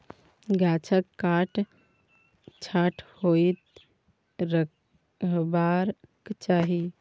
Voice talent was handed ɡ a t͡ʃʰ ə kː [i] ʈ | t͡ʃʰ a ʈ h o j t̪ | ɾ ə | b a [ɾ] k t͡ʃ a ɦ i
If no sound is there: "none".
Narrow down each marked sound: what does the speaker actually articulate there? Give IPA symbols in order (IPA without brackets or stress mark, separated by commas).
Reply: a, ɾ